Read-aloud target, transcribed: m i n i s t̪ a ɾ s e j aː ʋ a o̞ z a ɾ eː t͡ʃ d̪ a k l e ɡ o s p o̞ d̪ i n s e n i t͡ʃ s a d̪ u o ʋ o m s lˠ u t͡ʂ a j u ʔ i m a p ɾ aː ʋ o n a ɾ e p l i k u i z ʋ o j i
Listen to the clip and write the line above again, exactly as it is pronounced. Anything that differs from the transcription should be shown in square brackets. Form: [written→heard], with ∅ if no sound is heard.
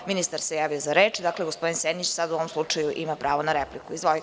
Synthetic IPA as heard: m i n i s t̪ a ɾ s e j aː ʋ [a→i] o̞ z a ɾ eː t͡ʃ d̪ a k l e ɡ o s p o̞ d̪ i n s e n i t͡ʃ s a d̪ u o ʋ o m s lˠ u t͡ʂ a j u ʔ i m a p ɾ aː ʋ o n a ɾ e p l i k u i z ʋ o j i